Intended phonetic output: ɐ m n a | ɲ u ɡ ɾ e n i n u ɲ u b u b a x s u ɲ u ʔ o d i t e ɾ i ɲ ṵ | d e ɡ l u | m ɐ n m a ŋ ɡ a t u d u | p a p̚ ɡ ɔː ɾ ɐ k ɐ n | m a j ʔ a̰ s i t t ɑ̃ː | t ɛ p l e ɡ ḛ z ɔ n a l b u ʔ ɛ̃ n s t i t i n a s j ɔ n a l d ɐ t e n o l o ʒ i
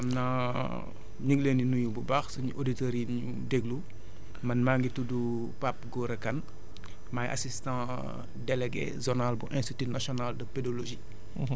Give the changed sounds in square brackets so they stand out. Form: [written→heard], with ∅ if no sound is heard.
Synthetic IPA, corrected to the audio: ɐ m n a | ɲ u ɡ [ɾ→l] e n i n u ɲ u b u b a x s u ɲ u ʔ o d i t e ɾ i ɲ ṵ | d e ɡ l u | m ɐ n m a ŋ ɡ [a→i] t u d u | p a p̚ ɡ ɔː ɾ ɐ k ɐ n | m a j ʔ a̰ s i [t→s] t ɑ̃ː | [t→d] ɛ [p→∅] l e ɡ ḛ z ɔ n a l b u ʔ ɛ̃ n s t i t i n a s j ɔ n a l d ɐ [t→p] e [n→d] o l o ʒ i